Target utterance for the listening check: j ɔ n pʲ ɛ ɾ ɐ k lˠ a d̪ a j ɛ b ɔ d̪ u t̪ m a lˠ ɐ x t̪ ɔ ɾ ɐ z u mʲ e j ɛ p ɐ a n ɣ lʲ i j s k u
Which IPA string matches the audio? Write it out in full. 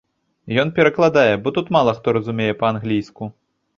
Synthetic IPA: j ɔ n pʲ ɛ ɾ ɐ k lˠ a d̪ a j ɛ b ɔ t̪ u t̪ m a lˠ ɐ x t̪ ɔ ɾ ɐ z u mʲ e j ɛ p ɐ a n ɣ lʲ i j s k u